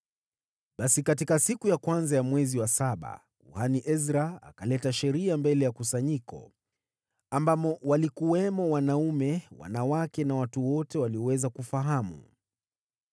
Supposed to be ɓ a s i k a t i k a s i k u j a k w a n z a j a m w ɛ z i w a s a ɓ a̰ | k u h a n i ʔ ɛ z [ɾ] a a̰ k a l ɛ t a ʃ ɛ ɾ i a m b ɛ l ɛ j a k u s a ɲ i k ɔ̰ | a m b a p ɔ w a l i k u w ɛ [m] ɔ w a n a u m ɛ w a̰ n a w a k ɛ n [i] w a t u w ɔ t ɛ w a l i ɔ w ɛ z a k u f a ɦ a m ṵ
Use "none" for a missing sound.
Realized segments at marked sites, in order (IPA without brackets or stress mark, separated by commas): ɾ, m, a